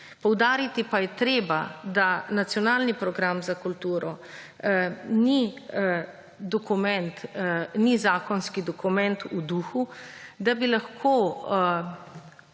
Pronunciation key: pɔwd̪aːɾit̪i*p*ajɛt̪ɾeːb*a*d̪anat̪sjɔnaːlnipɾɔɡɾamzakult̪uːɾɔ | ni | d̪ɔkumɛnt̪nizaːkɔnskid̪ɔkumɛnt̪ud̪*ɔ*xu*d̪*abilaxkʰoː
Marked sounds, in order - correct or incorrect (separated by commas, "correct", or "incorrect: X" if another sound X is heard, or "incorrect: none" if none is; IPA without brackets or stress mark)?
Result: correct, correct, incorrect: u, correct